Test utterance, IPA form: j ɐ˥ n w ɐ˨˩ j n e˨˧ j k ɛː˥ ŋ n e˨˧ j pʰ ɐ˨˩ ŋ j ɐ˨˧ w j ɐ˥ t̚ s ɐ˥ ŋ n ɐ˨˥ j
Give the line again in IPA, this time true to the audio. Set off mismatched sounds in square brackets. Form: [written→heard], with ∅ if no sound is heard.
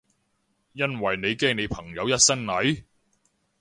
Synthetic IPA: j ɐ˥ n w ɐ˨˩ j n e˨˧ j k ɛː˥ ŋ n e˨˧ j pʰ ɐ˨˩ ŋ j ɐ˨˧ w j ɐ˥ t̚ s ɐ˥ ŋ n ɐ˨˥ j